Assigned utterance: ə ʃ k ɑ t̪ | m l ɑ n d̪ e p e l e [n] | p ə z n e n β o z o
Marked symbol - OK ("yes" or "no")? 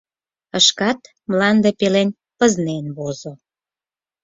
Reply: yes